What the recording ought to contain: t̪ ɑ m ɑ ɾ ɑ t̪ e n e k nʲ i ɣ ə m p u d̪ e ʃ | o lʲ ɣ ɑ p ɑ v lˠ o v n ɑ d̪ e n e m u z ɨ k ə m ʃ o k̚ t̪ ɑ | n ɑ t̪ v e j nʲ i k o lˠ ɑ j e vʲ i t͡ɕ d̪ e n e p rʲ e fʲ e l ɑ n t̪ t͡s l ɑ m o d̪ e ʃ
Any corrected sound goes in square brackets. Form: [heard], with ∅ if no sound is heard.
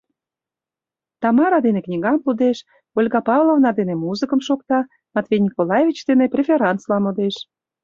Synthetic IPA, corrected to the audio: t̪ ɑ m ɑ ɾ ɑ [d̪] e n e k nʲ i ɣ [ɑ] m p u d̪ e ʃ | o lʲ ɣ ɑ p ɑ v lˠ o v n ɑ d̪ e n e m u z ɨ k ə m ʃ o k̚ t̪ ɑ | [m] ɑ t̪ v e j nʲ i k o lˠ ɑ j e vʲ i t͡ɕ d̪ e n e p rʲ e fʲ e [ɾ] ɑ n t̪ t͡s l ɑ m o d̪ e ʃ